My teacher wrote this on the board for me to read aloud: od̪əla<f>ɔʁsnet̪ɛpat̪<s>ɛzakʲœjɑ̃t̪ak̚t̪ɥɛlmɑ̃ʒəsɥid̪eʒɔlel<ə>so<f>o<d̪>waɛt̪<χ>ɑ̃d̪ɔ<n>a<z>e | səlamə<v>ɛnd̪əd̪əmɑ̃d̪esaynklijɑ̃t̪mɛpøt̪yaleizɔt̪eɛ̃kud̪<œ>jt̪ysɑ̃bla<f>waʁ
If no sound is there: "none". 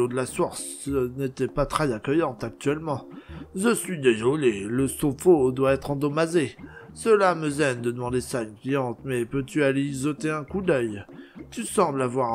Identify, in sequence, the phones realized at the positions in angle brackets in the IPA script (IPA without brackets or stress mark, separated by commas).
s, χ, ə, f, d̪, χ, m, z, z, œ, v